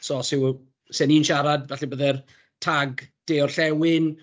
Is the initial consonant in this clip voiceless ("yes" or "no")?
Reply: yes